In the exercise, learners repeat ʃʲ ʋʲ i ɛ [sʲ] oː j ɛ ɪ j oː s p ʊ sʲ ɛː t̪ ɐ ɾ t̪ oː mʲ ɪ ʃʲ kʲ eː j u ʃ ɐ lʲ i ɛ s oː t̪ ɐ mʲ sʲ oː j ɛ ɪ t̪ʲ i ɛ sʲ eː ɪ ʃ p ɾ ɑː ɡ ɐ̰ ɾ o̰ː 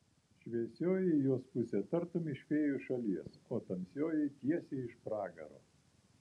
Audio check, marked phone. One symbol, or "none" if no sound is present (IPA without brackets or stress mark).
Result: sʲ